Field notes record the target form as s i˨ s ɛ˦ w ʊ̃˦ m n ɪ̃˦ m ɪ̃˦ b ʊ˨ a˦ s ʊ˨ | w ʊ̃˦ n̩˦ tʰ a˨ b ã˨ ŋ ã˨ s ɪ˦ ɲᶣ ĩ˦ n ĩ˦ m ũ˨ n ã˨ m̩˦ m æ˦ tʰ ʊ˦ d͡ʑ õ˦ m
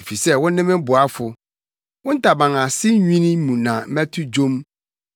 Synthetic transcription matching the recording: f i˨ s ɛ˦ w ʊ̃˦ n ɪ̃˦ m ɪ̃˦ b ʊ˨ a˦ f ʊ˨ | w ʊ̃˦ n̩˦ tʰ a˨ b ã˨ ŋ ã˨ s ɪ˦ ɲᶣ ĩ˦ n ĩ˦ m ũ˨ n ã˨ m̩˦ m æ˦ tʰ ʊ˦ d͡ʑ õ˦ m